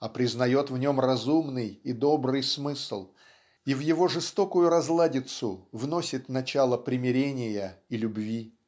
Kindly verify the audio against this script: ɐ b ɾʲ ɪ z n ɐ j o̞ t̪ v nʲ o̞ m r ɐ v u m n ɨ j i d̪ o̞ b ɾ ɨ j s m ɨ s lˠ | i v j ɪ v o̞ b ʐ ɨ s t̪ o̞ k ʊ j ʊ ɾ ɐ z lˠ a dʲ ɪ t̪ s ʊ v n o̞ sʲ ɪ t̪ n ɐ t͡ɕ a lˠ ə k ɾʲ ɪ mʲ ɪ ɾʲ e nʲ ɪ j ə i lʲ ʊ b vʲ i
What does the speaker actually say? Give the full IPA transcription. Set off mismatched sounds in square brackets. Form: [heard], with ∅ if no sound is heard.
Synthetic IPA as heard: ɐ [p] ɾʲ ɪ z n ɐ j o̞ t̪ v nʲ o̞ m r ɐ [z] u m n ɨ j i d̪ o̞ b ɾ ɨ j s m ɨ s lˠ | i v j ɪ v o̞ [∅] ʐ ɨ s t̪ o̞ k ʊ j ʊ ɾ ɐ z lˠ a dʲ ɪ t̪ s ʊ v n o̞ sʲ ɪ t̪ n ɐ t͡ɕ a lˠ ə [p] ɾʲ ɪ mʲ ɪ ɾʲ e nʲ ɪ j ə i lʲ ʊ b vʲ i